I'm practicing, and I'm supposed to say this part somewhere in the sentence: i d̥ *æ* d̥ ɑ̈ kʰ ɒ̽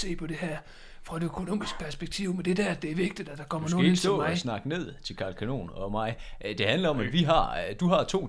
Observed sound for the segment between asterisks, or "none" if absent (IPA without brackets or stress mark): æ